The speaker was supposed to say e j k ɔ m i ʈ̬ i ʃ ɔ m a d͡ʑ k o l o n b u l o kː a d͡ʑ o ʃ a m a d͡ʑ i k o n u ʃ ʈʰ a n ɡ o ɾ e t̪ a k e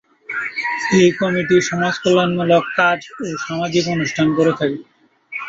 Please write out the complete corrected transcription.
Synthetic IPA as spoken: e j k ɔ m i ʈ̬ i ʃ ɔ m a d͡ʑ k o l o n m u l o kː a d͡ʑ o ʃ a m a d͡ʑ i k o n u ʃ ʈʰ a n k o ɾ e t̪ʰ a k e